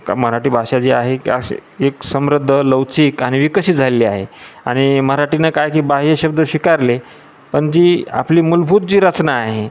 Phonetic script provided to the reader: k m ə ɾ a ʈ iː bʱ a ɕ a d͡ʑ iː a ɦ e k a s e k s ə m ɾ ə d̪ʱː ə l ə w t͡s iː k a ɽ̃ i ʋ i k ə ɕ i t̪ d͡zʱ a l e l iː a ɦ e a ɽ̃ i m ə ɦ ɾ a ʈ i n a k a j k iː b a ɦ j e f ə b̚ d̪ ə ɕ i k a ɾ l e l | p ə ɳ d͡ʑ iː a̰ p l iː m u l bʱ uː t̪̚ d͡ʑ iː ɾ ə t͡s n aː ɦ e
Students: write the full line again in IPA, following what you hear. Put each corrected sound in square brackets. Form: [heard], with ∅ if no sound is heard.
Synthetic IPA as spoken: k m ə ɾ a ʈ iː bʱ a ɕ a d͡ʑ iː a ɦ e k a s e k s ə m ɾ ə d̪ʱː ə l ə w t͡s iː k a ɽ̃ i ʋ i k ə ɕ i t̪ d͡zʱ a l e l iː a ɦ e a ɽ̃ i m ə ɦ ɾ a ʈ i n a k a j k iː b a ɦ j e [ɕ] ə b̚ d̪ ə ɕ i k a ɾ l e [∅] | p ə ɳ d͡ʑ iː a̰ p l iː m u l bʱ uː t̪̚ d͡ʑ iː ɾ ə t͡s n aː ɦ e